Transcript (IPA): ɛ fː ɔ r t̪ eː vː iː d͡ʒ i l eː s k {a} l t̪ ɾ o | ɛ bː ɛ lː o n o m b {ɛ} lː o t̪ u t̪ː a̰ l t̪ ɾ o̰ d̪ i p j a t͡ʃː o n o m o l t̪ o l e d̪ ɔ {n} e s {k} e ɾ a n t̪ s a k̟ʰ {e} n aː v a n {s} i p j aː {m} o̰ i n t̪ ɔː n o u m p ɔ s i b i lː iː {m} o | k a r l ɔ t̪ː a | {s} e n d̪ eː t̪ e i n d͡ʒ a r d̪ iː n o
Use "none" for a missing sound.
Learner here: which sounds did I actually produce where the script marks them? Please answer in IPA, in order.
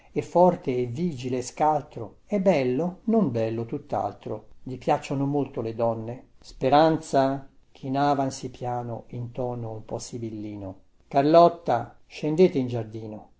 a, ɛ, nː, p, i, s, n, n, ʃ

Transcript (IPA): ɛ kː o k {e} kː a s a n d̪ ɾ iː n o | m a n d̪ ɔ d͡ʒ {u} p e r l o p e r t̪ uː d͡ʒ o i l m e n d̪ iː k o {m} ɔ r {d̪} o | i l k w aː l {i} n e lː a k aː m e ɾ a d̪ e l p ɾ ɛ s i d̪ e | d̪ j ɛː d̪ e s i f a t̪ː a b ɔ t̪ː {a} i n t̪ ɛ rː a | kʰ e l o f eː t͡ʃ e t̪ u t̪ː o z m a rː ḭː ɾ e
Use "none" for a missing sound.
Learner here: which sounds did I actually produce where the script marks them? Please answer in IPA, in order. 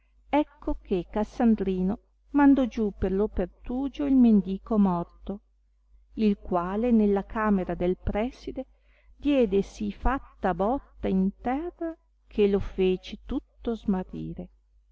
e, u, m, t̪, e, a

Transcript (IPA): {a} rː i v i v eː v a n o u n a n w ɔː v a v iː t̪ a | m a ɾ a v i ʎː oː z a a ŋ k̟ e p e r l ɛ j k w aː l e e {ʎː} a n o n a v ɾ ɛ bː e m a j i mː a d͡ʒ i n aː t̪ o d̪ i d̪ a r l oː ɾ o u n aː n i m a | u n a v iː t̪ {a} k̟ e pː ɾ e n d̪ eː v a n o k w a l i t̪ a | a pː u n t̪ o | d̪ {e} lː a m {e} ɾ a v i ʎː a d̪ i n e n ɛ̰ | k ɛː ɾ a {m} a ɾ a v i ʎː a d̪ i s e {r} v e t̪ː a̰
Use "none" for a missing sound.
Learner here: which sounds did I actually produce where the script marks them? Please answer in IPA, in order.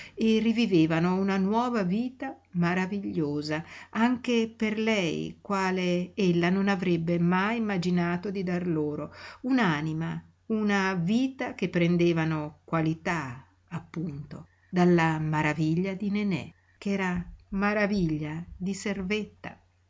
e, lː, a, a, a, m, r

